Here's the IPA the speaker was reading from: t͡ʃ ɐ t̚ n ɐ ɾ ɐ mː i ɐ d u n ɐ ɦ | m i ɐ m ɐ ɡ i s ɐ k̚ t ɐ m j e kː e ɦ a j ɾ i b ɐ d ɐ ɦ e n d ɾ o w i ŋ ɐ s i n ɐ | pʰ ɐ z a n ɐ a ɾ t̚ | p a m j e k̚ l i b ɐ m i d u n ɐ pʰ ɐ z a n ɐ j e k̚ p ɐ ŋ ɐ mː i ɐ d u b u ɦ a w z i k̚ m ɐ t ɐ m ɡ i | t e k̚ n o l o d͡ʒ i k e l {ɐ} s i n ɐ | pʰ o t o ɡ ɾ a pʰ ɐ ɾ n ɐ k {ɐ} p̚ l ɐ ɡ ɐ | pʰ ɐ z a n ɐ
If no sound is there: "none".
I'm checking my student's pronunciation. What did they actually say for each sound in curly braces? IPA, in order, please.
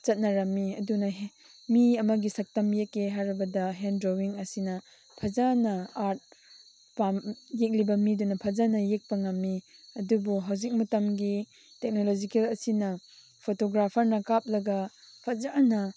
ɐ, a

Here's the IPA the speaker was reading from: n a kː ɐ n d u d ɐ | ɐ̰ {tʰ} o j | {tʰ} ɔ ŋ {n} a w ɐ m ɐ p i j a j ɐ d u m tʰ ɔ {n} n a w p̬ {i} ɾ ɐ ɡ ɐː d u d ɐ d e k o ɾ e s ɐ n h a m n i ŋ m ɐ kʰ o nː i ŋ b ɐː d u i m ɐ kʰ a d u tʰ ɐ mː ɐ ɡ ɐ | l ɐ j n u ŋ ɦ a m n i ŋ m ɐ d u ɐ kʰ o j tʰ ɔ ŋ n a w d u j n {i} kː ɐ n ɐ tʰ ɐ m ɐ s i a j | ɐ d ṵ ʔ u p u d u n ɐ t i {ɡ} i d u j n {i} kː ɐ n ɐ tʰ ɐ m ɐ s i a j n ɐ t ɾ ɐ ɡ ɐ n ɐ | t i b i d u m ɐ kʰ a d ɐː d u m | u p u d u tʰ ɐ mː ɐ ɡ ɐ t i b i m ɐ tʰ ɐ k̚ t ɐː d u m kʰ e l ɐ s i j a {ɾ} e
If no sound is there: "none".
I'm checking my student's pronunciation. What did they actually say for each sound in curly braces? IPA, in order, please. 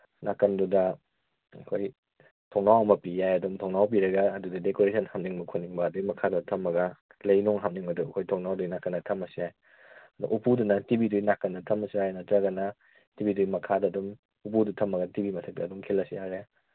kʰ, tʰ, n, ŋ, i, a, b, a, ɾ

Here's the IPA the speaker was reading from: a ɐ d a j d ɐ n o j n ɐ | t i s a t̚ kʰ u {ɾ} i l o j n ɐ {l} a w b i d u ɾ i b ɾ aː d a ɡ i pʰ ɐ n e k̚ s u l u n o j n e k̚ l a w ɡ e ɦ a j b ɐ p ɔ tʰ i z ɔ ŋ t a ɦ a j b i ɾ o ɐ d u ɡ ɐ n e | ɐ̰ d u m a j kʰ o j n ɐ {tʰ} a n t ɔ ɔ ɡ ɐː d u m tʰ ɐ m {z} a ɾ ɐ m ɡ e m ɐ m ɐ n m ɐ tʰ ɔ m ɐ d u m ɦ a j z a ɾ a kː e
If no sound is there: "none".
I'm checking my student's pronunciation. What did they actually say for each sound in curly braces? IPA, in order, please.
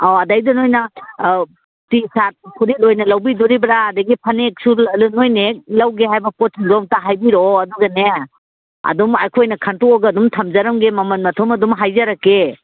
ɾ, l, kʰ, z

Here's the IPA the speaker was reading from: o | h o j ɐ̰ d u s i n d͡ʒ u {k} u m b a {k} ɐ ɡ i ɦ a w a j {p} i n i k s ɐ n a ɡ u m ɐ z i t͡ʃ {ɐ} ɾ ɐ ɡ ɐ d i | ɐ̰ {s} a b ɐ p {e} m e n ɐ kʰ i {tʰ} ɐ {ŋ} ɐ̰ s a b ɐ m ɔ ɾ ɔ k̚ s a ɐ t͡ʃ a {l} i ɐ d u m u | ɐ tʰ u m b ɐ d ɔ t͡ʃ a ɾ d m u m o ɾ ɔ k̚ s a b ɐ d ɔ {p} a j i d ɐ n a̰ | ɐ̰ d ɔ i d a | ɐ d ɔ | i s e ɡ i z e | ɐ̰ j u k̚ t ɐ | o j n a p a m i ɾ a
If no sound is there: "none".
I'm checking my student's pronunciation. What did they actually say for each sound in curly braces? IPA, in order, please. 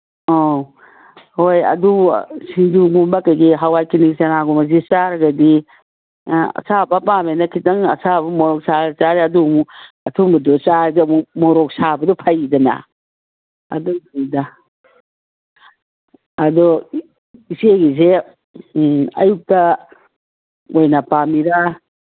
ɡ, k, k, a, s, a, t, ŋ, ɾ, pʰ

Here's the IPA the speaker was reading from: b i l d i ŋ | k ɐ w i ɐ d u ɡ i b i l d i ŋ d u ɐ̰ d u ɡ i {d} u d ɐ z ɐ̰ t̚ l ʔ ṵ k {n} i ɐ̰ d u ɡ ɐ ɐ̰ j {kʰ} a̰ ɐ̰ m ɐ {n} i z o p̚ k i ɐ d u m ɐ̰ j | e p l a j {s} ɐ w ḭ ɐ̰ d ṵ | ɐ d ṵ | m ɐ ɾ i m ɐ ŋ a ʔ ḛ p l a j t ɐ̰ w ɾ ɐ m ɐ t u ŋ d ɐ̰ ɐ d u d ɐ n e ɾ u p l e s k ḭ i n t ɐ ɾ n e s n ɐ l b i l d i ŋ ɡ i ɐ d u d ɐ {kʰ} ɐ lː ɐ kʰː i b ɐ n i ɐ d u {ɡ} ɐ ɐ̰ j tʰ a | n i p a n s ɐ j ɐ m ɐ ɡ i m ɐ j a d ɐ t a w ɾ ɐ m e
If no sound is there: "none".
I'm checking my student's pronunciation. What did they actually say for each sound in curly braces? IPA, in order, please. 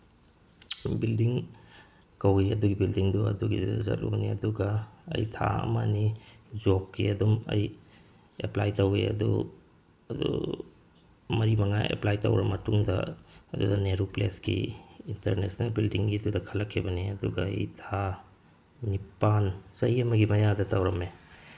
d, n, tʰ, n, t, kʰ, ɡ

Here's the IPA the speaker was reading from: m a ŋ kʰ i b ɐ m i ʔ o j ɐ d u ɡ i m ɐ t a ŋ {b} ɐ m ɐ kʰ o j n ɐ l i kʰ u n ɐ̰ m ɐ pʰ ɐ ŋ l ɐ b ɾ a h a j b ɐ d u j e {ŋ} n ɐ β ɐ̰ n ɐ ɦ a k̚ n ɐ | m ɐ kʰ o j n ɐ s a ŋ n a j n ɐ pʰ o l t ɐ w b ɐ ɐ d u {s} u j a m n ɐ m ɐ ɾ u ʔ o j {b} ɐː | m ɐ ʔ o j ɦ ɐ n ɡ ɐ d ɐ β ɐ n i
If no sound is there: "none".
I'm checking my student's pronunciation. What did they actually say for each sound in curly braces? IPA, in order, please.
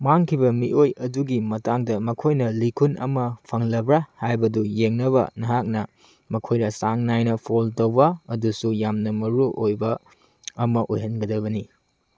d, ŋ, s, b

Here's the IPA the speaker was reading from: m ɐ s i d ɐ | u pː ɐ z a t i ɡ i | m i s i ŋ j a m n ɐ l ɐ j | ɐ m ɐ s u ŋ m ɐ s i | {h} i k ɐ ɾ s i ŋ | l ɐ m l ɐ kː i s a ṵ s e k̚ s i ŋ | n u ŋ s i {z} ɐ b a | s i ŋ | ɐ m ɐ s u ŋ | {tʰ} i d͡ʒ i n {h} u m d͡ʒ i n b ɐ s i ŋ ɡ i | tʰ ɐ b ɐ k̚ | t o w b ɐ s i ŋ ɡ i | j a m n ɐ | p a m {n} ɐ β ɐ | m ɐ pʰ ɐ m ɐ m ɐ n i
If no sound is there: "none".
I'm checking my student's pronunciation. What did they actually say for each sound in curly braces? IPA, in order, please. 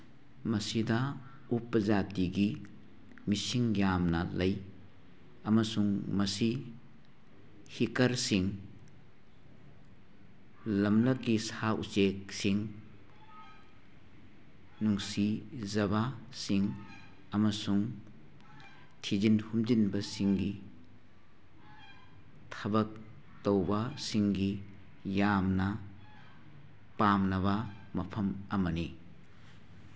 h, z, tʰ, h, n

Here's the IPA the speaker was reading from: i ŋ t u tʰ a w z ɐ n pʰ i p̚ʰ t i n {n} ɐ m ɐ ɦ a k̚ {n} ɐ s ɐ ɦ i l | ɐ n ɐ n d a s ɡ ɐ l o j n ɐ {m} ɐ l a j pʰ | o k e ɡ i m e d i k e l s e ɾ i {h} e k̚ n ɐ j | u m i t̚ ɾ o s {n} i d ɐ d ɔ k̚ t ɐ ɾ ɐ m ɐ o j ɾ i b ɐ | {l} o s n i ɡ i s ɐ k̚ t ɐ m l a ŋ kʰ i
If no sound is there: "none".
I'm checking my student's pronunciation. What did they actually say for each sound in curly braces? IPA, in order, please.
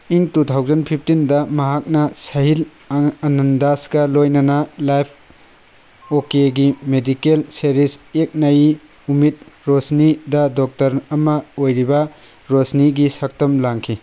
d, n, n, s, n, ɾ

